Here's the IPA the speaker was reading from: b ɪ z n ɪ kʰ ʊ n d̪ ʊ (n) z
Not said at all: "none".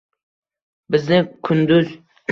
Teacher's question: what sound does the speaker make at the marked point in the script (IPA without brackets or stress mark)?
none